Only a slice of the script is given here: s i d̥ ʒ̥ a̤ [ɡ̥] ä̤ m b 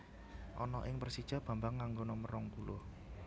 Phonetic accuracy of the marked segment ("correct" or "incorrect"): incorrect